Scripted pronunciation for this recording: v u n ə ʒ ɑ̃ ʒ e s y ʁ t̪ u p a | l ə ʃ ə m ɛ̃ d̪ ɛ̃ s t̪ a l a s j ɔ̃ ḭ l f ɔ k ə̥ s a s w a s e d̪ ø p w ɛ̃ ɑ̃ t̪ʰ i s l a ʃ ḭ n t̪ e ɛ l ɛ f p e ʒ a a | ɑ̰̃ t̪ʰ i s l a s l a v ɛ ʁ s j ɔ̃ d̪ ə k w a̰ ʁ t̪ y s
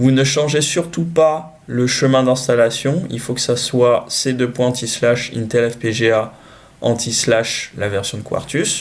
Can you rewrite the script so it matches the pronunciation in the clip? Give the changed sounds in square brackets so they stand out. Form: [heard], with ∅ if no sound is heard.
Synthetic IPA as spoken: v u n ə [ʃ] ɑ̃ ʒ e s y ʁ t̪ u p a | l ə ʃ ə m ɛ̃ d̪ ɛ̃ s t̪ a l a s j ɔ̃ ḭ l f [o] k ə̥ s a s w a s e d̪ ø p w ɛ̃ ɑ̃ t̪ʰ i s l a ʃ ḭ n t̪ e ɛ l ɛ f p e ʒ [e] a | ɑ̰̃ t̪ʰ i s l a [ʃ] l a v ɛ ʁ s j ɔ̃ d̪ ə k w a̰ ʁ t̪ y s